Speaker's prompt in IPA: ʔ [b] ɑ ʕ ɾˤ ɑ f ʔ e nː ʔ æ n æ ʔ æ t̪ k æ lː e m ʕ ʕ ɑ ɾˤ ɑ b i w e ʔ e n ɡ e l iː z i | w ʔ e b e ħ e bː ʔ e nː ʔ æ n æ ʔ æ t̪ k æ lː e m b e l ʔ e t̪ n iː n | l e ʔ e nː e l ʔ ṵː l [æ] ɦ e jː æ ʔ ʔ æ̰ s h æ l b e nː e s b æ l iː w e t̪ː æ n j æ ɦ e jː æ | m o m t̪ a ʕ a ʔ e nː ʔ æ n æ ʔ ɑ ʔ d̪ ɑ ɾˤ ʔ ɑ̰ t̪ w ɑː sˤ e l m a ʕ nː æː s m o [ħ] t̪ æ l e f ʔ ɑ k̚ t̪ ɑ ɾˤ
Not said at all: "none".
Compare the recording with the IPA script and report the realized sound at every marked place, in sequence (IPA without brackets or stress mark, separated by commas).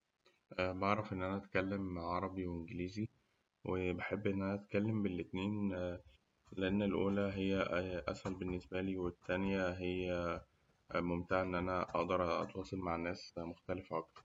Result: b, æ, x